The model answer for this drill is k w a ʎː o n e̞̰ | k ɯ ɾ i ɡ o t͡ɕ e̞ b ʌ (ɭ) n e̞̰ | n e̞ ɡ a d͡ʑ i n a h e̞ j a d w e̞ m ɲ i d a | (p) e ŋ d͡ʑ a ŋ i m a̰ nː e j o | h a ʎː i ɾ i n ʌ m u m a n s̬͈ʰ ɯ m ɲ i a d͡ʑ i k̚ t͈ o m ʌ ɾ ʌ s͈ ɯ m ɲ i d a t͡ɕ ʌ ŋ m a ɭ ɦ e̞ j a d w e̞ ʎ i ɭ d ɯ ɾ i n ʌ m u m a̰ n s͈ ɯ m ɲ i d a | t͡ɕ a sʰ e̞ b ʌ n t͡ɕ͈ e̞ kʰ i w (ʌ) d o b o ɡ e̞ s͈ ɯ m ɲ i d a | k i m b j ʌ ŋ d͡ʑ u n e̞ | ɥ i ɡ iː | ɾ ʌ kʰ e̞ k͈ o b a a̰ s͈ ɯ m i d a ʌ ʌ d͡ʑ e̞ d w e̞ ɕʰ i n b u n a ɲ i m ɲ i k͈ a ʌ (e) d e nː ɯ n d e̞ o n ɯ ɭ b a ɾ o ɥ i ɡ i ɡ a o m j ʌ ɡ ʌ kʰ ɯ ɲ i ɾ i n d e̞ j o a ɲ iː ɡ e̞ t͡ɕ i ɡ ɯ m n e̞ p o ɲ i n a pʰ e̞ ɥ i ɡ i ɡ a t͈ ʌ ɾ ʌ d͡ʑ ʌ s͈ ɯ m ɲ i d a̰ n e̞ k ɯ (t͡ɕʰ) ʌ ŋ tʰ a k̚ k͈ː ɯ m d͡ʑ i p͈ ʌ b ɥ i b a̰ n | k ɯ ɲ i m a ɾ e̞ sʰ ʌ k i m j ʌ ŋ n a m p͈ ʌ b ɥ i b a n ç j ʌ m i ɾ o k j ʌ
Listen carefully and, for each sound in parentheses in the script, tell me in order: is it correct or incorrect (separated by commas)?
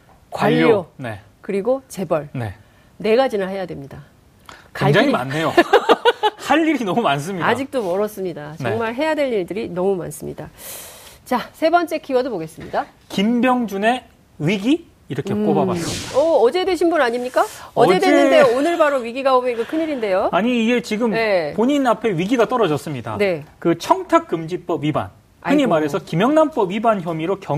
correct, incorrect, correct, correct, correct